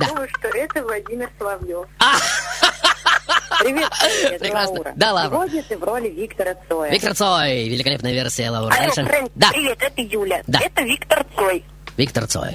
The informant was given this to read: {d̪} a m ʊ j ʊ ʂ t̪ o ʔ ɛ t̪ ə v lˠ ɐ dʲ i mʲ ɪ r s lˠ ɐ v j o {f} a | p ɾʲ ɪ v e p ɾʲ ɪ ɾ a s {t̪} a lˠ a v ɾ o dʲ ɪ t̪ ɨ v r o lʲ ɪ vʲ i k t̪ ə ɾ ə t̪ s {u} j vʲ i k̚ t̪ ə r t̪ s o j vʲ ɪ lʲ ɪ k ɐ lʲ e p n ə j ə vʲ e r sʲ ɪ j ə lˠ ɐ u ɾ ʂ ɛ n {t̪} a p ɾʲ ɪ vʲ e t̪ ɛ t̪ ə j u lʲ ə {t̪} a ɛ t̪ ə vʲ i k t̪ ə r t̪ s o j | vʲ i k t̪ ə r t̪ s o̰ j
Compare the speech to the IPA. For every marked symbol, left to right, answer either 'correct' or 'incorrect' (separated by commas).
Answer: correct, correct, incorrect, incorrect, incorrect, incorrect